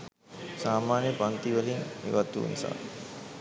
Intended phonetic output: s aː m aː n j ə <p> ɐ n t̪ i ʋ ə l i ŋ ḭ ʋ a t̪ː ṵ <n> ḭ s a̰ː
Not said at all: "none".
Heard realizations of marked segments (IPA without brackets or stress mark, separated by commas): p, n